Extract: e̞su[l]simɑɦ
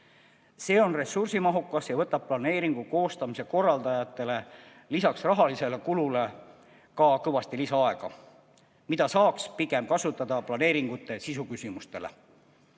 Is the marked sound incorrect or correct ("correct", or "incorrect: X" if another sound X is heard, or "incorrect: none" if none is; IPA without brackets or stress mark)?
incorrect: r